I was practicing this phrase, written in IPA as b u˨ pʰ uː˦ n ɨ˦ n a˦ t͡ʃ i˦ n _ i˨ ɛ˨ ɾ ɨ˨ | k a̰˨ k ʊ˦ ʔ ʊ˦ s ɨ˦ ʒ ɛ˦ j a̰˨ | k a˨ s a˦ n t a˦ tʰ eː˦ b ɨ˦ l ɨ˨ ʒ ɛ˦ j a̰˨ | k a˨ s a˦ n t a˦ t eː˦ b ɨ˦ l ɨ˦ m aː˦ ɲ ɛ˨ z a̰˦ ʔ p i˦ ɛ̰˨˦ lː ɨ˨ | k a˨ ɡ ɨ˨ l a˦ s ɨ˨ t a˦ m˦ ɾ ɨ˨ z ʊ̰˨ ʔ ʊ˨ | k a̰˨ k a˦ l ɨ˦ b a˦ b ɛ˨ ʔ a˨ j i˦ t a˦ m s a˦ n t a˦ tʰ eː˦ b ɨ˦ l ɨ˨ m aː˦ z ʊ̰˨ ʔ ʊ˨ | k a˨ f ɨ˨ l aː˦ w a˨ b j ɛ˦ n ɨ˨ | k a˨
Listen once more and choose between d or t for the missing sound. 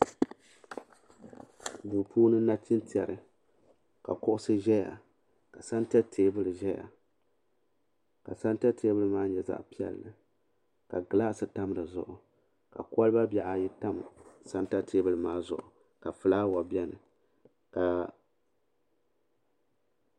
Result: t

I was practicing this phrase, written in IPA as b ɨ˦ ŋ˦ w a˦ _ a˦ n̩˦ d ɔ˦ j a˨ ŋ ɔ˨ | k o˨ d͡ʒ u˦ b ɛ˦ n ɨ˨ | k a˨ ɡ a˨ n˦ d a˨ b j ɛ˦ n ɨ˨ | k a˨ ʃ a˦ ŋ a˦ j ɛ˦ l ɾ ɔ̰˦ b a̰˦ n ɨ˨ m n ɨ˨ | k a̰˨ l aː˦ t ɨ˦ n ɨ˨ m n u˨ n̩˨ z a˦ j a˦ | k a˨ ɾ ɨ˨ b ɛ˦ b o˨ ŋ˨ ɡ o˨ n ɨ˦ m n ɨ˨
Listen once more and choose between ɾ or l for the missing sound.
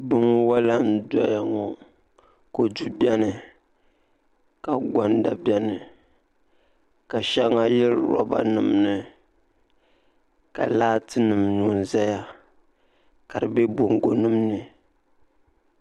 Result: l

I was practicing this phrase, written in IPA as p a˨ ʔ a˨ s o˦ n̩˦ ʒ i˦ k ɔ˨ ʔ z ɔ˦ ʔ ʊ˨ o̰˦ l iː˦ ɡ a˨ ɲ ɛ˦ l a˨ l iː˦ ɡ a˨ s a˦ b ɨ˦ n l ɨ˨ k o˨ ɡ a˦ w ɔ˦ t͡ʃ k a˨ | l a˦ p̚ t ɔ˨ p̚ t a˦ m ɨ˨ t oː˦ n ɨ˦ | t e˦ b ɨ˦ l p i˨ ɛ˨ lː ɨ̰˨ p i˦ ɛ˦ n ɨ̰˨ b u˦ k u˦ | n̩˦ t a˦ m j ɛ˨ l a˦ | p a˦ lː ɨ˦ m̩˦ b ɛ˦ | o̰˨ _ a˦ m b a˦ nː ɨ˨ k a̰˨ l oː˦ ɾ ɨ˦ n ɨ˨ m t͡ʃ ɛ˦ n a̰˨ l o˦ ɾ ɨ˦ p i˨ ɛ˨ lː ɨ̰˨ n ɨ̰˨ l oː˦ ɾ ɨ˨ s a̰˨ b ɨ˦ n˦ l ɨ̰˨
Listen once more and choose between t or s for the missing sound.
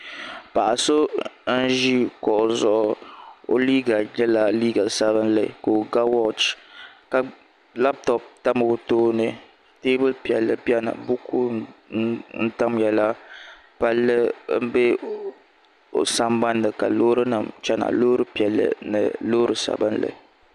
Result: s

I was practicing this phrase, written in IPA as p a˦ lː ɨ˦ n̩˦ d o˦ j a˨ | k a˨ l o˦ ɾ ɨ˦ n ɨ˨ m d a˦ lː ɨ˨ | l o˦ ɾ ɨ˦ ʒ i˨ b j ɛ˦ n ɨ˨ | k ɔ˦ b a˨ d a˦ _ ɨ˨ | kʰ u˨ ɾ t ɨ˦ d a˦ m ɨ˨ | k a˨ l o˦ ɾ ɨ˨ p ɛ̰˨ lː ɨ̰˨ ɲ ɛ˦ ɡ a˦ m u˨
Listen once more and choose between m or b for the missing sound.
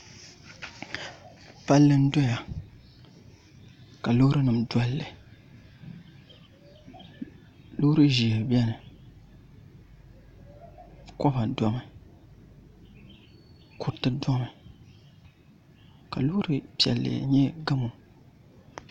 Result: m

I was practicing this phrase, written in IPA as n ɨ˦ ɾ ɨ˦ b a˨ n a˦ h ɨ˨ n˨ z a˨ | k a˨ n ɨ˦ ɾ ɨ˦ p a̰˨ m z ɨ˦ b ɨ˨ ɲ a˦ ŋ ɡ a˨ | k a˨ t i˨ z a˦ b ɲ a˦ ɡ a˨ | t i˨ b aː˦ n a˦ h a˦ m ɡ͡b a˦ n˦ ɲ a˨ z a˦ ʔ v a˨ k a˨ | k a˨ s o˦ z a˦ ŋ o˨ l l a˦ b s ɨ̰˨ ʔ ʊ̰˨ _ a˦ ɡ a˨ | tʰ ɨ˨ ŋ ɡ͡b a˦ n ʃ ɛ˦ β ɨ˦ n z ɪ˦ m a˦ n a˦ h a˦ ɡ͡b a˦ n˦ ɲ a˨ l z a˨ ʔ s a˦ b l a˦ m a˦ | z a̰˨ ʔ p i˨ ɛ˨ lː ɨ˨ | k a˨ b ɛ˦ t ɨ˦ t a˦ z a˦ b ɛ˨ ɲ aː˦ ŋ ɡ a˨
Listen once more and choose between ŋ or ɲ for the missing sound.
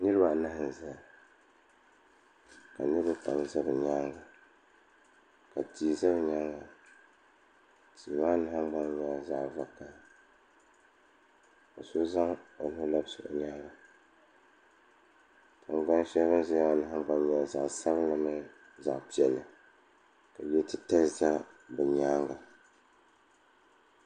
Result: ɲ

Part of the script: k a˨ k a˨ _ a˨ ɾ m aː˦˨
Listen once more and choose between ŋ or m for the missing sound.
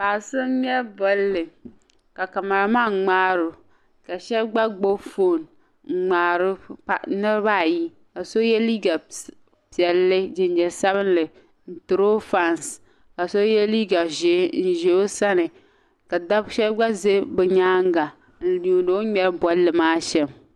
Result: m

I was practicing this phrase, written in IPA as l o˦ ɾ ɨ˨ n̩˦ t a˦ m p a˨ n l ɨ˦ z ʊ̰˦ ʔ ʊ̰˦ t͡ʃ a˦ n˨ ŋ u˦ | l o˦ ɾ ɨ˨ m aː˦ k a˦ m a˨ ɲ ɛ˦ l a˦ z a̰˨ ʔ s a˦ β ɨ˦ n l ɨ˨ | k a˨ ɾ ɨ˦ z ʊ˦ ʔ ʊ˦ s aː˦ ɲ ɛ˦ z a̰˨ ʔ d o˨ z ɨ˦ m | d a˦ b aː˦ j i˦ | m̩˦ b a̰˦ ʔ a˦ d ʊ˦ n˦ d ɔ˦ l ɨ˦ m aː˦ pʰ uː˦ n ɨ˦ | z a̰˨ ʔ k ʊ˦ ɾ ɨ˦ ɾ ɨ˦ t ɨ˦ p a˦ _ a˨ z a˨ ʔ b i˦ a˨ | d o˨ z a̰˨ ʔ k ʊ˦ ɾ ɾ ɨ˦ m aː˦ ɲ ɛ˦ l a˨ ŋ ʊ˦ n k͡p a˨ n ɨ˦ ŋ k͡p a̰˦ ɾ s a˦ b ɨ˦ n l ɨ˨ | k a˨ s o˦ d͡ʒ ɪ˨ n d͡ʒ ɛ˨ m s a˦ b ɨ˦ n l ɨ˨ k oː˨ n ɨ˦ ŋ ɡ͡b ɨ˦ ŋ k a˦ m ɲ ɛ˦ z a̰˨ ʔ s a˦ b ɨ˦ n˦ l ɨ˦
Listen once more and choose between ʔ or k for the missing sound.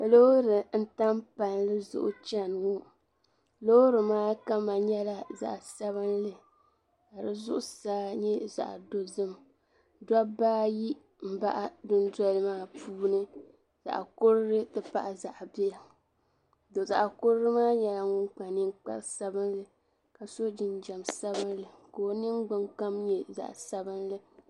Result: ʔ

